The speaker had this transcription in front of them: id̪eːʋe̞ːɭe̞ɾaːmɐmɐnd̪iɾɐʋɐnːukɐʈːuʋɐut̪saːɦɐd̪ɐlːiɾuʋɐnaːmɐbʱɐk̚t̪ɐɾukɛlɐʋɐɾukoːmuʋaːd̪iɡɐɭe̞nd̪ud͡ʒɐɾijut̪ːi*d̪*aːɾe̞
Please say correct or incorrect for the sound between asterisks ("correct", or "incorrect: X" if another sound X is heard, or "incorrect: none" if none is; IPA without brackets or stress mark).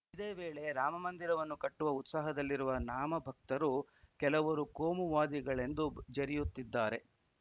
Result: incorrect: d̪ː